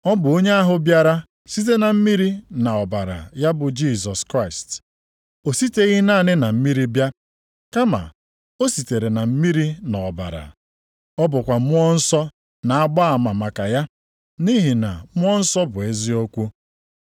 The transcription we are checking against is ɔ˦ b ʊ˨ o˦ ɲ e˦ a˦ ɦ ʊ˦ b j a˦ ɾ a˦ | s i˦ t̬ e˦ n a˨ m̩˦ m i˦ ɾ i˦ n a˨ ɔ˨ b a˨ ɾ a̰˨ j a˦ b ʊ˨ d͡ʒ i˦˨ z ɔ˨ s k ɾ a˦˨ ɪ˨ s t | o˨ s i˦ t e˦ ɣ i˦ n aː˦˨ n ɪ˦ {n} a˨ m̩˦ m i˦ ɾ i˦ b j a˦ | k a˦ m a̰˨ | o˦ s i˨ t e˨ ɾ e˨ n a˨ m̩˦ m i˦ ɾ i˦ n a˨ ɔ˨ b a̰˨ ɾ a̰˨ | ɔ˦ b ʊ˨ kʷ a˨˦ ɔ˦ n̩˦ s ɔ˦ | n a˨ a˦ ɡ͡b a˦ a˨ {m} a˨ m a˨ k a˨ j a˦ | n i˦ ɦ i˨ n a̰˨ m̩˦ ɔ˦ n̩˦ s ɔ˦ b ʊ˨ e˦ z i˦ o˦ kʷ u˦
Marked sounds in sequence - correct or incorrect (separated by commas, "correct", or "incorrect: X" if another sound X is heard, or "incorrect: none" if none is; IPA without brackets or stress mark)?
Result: correct, correct